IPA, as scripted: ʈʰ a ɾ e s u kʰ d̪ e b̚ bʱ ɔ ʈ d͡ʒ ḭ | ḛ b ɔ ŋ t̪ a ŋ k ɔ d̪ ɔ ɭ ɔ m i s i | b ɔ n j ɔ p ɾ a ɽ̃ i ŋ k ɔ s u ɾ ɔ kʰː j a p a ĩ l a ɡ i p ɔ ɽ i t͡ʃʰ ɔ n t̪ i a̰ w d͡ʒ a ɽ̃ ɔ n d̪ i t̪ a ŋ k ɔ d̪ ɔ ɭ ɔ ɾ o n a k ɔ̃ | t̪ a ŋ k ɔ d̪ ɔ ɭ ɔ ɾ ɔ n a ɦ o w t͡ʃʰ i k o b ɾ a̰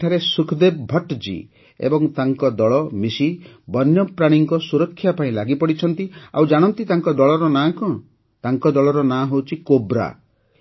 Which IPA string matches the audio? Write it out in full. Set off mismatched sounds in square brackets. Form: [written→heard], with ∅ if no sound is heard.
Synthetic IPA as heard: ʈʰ a ɾ e s u kʰ d̪ e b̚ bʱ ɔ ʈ d͡ʒ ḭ | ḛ b ɔ ŋ t̪ a ŋ k ɔ d̪ ɔ ɭ ɔ m i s i | b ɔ n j ɔ p ɾ a ɽ̃ i ŋ k ɔ s u ɾ ɔ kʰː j a p a ĩ l a ɡ i p ɔ ɽ i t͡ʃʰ ɔ n t̪ i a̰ w d͡ʒ a ɽ̃ ɔ n [d̪→t̪] i t̪ a ŋ k ɔ d̪ ɔ ɭ ɔ ɾ [o→ɔ] n a k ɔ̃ | t̪ a ŋ k ɔ d̪ ɔ ɭ ɔ ɾ ɔ n a ɦ o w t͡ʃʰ i k o b ɾ a̰